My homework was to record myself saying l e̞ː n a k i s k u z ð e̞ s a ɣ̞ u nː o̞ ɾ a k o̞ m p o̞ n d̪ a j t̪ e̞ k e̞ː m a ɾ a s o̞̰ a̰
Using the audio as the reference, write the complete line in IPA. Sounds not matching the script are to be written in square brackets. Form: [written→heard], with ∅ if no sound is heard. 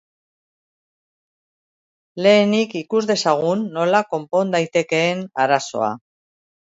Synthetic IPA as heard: l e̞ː n [a→i] k i [s→∅] k u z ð e̞ s a ɣ̞ u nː o̞ [ɾ→l] a k o̞ m p o̞ n d̪ a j t̪ e̞ k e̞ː [m→n] a ɾ a s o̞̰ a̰